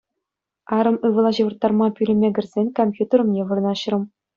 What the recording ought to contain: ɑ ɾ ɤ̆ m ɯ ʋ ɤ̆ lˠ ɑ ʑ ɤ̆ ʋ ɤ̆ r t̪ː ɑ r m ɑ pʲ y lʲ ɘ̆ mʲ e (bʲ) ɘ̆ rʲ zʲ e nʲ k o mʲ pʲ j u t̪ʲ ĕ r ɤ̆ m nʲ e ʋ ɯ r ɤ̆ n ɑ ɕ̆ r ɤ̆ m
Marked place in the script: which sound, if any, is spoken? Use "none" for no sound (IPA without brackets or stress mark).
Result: ɡʲ